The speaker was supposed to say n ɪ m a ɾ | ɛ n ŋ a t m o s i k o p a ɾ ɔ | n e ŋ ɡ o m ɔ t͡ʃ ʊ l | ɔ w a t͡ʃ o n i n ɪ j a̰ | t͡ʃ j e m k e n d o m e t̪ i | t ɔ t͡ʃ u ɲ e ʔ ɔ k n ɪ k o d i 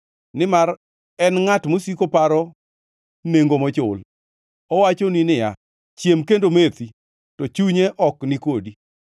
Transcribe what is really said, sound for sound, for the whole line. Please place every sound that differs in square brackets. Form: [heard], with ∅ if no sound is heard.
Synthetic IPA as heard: n ɪ m a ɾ | ɛ n ŋ a t m o s i k o p a ɾ ɔ | n e ŋ ɡ o m ɔ t͡ʃ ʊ l | ɔ w a t͡ʃ o n i n ɪ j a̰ | t͡ʃ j e m k e n d o m e t̪ i | t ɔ t͡ʃ u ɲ e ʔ ɔ k n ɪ k o d i